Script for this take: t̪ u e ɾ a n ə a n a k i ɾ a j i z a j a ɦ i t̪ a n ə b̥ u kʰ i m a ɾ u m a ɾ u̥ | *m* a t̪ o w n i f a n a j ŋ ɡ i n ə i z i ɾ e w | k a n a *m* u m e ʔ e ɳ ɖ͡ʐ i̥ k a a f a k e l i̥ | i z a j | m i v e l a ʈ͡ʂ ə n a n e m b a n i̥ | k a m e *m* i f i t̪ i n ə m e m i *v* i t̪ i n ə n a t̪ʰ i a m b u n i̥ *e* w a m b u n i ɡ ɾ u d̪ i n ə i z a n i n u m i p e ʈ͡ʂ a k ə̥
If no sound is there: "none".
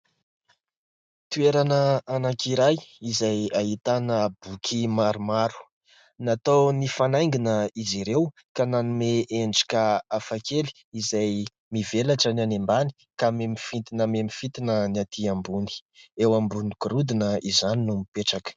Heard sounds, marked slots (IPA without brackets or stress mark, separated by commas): n, n, m, f, e